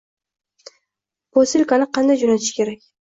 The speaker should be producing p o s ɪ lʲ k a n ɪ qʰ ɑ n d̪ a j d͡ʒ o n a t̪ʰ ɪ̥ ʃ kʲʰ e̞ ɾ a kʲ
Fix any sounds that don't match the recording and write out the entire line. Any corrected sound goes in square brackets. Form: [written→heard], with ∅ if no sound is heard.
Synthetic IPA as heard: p o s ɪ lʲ k a n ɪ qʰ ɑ n d̪ a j d͡ʒ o n a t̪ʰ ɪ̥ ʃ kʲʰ e̞ ɾ a kʲ